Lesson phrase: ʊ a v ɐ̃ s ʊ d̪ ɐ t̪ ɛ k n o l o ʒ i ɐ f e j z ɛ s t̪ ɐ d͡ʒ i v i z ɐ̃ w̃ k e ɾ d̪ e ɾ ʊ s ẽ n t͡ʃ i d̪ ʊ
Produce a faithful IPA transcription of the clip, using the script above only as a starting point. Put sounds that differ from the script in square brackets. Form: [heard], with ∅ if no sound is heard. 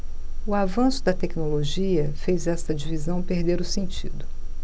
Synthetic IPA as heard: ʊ a v ɐ̃ s ʊ d̪ ɐ t̪ ɛ k n o l o ʒ i ɐ f e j z ɛ s t̪ ɐ d͡ʒ i v i z ɐ̃ w̃ [p] e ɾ d̪ e ɾ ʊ s ẽ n t͡ʃ i d̪ ʊ